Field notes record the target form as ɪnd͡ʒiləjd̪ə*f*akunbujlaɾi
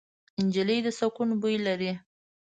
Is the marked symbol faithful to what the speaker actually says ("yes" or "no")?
no